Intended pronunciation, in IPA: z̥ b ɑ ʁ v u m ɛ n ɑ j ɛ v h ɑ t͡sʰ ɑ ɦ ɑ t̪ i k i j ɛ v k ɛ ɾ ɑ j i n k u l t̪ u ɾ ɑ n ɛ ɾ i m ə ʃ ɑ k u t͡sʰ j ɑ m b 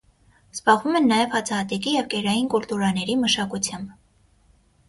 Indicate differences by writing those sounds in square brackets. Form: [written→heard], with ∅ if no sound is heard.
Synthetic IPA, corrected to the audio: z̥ b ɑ ʁ v u m ɛ [n→nː] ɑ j ɛ v h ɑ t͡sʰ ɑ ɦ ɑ t̪ [i→ɛ] k i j ɛ v k ɛ ɾ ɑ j i n k u l t̪ u ɾ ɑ n ɛ ɾ i m ə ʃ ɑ k u t͡sʰ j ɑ m b

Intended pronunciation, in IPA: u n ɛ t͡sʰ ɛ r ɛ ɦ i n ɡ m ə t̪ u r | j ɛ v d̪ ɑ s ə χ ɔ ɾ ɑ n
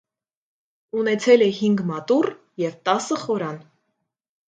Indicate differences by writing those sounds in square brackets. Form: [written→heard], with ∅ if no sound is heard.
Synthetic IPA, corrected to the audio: u n ɛ t͡sʰ ɛ [r→l] ɛ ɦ i [n→ŋ] ɡ m [ə→ɑ] t̪ u r | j ɛ v [d̪→t̪] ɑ s ə χ ɔ ɾ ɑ n

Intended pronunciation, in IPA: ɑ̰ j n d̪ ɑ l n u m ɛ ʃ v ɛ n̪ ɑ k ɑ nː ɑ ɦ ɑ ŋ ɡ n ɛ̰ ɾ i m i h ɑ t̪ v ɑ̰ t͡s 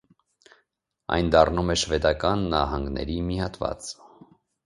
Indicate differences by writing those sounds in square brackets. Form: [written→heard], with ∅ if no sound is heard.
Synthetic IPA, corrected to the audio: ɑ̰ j n d̪ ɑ [l→r] n u m ɛ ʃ v ɛ [n̪→d̪] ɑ k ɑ nː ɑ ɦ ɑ ŋ ɡ n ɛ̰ ɾ i m i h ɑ t̪ v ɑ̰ t͡s

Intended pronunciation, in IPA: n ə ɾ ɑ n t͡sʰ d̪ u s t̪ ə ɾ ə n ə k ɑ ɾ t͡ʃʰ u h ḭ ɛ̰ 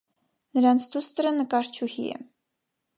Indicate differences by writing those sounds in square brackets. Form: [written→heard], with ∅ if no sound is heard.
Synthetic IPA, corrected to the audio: n ə ɾ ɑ n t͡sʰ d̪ u s t̪ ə ɾ ə n ə k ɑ ɾ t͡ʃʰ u h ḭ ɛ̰

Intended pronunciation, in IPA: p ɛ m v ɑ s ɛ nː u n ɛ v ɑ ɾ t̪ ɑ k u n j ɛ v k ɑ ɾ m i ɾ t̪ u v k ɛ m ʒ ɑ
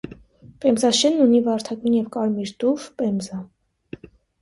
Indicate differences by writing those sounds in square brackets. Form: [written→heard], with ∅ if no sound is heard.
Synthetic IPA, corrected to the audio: p ɛ m [v→z] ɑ [s→ʃ] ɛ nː u n [ɛ→i] v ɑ ɾ [t̪→t̪ʰ] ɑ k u n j ɛ v k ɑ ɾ m i ɾ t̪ u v [k→p] ɛ m [ʒ→z] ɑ

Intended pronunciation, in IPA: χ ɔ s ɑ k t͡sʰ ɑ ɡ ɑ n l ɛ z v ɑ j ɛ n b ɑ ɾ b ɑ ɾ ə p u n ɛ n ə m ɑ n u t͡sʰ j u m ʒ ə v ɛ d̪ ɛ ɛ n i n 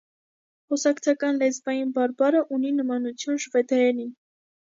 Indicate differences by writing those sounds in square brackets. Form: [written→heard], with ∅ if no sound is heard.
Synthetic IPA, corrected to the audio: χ ɔ s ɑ k t͡sʰ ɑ [ɡ→k] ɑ n l ɛ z v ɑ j [ɛ→i] n b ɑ ɾ b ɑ ɾ ə [p→ʔ] u n [ɛ→i] n ə m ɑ n u t͡sʰ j u [m→n] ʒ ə v ɛ d̪ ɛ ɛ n i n

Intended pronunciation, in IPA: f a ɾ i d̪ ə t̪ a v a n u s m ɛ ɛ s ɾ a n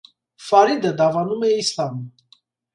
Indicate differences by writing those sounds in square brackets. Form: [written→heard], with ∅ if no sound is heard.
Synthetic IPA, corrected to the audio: f a ɾ i d̪ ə [t̪→d̪] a v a n u [s→∅] m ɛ [ɛ→i] s [ɾ→l] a [n→m]

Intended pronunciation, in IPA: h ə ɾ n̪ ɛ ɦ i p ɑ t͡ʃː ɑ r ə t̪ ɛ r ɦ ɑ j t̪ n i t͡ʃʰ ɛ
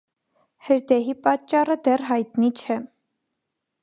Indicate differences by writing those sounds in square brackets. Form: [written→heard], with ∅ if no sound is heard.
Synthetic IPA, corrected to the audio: h ə ɾ [n̪→d̪] ɛ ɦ i p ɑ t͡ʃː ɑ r ə [t̪→d̪] ɛ r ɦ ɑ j t̪ n i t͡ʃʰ ɛ

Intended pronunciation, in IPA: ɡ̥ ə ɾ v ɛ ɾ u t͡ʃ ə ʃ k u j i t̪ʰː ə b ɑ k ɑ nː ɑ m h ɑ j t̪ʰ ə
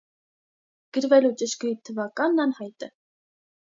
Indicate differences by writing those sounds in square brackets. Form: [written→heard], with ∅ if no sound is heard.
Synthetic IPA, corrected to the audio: ɡ̥ ə ɾ v ɛ [ɾ→l] u t͡ʃ ə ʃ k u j i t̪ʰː ə [b→v] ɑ k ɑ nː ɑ [m→n] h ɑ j [t̪ʰ→t̪] ə

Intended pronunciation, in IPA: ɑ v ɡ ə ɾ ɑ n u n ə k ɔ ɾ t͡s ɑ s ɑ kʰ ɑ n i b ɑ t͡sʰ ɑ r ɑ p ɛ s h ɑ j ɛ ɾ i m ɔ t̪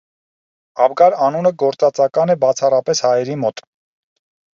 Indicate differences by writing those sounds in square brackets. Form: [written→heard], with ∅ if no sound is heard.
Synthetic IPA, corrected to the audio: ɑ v ɡ [ə→ɑ] ɾ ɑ n u n ə [k→ɡ] ɔ ɾ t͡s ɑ [s→t͡s] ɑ [kʰ→k] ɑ n [i→ɛ] b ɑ t͡sʰ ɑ r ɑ p ɛ s h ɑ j ɛ ɾ i m ɔ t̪

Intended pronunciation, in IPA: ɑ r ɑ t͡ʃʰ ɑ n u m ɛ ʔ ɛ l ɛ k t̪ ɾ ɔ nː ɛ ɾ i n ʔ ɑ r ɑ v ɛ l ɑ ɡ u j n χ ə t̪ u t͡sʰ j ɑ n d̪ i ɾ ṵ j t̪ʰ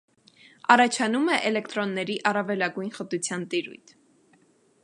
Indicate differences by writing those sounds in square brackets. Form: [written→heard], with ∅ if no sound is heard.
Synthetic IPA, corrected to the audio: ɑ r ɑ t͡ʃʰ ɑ n u m ɛ ʔ ɛ l ɛ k t̪ ɾ ɔ nː ɛ ɾ i [n→∅] ʔ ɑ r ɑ v ɛ l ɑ ɡ u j n χ ə t̪ u t͡sʰ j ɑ n [d̪→t̪] i ɾ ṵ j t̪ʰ

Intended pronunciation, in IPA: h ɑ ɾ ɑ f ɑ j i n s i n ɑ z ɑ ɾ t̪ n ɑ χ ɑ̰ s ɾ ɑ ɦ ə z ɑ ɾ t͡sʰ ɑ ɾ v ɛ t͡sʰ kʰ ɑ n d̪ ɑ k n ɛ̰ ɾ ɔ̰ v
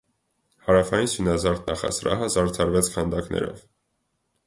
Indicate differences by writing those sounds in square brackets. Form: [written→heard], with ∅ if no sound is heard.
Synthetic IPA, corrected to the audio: h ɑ ɾ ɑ f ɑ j i n s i n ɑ z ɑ ɾ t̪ n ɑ χ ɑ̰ s ɾ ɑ ɦ ə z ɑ ɾ t͡sʰ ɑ ɾ v ɛ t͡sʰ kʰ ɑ n d̪ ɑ k n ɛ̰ ɾ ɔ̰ v

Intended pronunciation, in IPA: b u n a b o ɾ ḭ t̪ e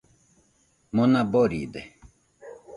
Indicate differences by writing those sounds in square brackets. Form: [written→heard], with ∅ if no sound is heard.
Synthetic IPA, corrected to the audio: [b→m] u n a b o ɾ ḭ [t̪→d̪] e

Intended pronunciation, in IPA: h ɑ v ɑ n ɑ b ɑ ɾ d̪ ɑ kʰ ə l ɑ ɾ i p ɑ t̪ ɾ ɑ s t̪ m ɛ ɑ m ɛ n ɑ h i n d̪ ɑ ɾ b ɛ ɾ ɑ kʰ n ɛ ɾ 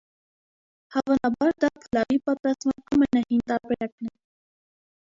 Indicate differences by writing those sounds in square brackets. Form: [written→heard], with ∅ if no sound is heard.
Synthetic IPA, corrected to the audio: h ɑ v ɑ n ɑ b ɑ ɾ d̪ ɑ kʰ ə l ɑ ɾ i p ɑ t̪ ɾ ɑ s t̪ m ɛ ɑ m ɛ n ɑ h i n [d̪→t̪] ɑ ɾ b ɛ ɾ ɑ [kʰ→k] n ɛ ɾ

